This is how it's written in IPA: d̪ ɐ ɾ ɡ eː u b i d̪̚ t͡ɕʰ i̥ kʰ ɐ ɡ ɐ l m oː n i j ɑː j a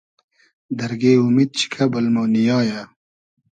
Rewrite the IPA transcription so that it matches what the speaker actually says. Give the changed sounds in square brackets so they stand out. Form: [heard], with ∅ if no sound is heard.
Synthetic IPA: d̪ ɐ ɾ ɡ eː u [m] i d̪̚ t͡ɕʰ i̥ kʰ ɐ [b] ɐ l m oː n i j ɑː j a